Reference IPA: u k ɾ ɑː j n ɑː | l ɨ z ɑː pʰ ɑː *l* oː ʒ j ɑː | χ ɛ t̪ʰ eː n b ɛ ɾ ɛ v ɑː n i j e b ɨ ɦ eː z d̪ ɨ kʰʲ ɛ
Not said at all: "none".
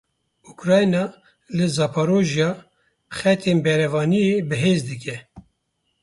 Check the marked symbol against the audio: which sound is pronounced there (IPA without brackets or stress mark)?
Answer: ɾ